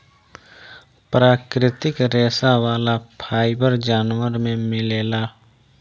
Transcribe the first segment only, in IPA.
p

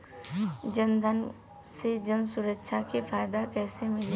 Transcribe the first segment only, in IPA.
d͡ʒ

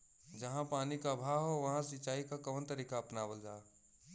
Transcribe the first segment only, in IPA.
d͡ʒ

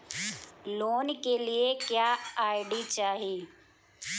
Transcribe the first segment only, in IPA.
l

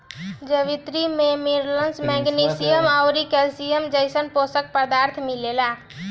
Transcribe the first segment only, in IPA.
d͡ʒ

